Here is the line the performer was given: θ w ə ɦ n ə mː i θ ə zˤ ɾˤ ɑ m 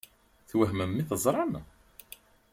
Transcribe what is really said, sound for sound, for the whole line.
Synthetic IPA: θ w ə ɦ m ə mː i θ ə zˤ ɾˤ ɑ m